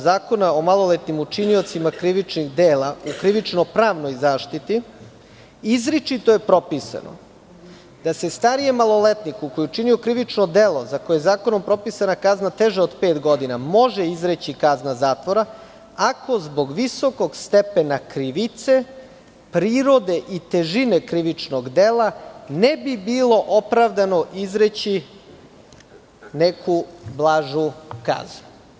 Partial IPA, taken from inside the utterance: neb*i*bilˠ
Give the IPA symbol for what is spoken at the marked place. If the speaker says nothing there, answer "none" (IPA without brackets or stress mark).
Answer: i